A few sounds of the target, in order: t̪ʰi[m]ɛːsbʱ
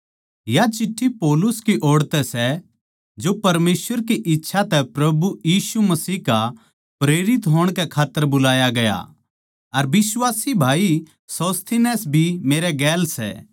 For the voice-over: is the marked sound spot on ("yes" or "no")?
no